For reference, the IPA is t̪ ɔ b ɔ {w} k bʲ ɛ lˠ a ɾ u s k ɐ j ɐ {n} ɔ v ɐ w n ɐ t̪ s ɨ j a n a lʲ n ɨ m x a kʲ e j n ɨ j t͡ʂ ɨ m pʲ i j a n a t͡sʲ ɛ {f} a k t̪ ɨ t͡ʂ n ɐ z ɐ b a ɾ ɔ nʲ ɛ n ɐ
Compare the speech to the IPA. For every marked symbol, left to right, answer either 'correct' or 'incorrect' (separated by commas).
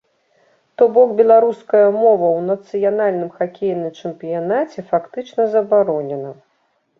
incorrect, incorrect, correct